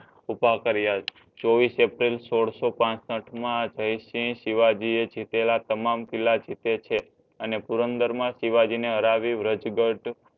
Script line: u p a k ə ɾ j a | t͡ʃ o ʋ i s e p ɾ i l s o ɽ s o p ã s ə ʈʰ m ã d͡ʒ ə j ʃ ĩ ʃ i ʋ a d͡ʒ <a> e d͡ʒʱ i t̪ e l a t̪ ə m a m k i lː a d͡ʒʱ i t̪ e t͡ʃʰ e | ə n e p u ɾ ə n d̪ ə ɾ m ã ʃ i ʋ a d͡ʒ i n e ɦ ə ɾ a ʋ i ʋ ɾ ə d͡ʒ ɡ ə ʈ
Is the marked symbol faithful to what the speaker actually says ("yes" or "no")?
no